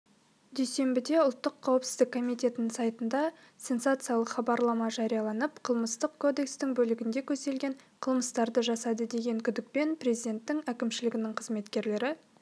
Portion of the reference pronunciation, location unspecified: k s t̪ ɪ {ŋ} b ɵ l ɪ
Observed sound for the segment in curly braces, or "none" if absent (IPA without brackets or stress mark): ŋ